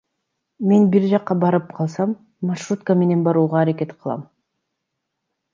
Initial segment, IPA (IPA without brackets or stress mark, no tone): m